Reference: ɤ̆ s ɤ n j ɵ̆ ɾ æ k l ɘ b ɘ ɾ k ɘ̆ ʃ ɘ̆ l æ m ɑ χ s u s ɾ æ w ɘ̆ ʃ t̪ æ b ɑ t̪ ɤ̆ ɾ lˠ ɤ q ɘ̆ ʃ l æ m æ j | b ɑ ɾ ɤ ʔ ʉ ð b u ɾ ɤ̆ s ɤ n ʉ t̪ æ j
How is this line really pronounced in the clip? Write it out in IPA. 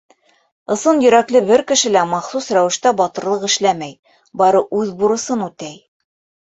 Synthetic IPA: ɤ̆ s ɤ n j ɵ̆ ɾ æ k l ɘ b ɘ ɾ k ɘ̆ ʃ ɘ̆ l æ m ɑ χ s u s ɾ æ w ɘ̆ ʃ t̪ æ b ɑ t̪ ɤ̆ ɾ lˠ ɤ q ɘ̆ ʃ l æ m æ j | b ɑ ɾ ɤ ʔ ʉ ð b u ɾ ɤ̆ s ɤ n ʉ t̪ æ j